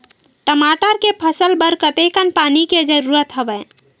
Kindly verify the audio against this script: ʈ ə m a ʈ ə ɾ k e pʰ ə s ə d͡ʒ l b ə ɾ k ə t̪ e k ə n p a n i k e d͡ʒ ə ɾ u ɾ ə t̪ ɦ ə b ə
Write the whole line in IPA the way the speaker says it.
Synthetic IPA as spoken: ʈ ə m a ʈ ə ɾ k e pʰ ə s ə l b ə ɾ k ə t̪ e k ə n p a n i k e d͡ʒ ə ɾ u ɾ ə t̪ ɦ ə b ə